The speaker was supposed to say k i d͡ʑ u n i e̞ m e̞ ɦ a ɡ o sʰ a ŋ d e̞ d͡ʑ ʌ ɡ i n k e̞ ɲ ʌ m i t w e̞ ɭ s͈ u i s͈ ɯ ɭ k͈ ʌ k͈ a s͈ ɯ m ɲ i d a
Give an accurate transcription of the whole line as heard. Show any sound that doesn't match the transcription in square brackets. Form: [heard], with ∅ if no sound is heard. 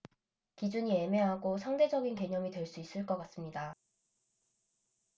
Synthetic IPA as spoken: k i d͡ʑ u [ɲ] i e̞ m e̞ ɦ a ɡ o sʰ a ŋ d e̞ d͡ʑ ʌ ɡ i n k e̞ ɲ ʌ m i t w e̞ ɭ s͈ u i s͈ ɯ ɭ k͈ ʌ k͈ a s͈ ɯ m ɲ i d a